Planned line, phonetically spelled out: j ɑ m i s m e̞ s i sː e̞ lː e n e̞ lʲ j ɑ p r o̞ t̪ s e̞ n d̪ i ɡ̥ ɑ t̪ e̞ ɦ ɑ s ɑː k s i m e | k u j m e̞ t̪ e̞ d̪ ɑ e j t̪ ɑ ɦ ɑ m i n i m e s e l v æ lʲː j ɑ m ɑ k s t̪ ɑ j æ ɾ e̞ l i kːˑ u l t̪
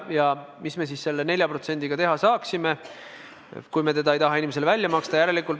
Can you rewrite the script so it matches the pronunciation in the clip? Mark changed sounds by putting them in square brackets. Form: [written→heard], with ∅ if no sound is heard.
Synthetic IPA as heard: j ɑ m i s m e̞ s i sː e̞ lː e n e̞ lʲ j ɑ p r o̞ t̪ s e̞ n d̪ i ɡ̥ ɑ t̪ e̞ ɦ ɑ s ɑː k s i m e | k u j m e̞ t̪ e̞ d̪ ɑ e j t̪ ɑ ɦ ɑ [m→∅] i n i m e s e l v æ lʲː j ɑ m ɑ k s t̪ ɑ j æ ɾ e̞ l i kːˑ u l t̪